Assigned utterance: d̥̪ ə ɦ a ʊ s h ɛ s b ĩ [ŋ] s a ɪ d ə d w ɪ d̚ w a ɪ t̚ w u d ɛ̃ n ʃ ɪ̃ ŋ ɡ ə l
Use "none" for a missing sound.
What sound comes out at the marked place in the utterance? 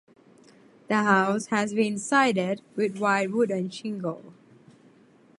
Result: n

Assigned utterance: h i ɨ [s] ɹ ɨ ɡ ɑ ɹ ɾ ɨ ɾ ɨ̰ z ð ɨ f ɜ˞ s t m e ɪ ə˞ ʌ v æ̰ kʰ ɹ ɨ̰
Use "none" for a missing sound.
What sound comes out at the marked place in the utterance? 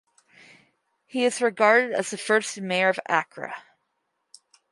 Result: z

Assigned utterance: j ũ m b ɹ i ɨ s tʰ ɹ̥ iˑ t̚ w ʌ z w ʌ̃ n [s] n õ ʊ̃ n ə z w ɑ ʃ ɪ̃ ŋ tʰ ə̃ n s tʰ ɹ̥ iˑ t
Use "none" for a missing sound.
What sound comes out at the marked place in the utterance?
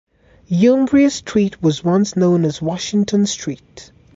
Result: s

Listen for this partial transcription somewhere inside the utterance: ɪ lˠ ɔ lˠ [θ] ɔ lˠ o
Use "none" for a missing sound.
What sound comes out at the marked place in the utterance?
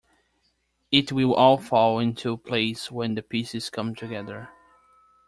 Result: f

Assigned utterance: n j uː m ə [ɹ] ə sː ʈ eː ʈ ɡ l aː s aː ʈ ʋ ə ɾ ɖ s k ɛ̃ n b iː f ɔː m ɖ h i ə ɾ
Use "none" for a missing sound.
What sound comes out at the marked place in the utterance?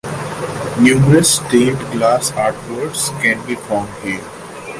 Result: ɾ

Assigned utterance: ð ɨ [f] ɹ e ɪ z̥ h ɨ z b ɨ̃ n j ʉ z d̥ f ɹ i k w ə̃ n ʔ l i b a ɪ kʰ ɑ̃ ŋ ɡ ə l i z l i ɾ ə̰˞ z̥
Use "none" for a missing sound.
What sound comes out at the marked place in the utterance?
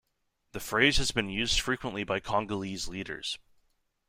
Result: f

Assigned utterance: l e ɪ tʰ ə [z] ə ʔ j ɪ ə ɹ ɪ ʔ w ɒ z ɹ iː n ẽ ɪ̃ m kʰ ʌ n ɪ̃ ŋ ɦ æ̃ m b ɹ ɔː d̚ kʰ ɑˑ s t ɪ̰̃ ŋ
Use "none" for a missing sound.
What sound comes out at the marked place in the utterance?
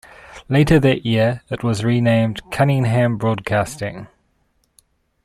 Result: ð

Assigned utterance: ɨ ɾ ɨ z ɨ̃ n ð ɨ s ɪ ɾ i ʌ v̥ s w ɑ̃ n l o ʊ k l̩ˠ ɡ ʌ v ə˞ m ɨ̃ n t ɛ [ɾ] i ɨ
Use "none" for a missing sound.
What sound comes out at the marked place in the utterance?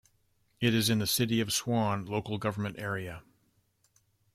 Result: ɹ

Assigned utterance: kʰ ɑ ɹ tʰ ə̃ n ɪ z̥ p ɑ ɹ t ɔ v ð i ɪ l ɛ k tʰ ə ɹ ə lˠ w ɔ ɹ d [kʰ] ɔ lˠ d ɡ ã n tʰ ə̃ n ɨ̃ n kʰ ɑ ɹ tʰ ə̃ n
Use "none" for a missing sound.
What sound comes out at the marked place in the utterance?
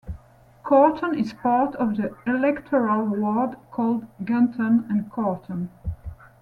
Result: kʰ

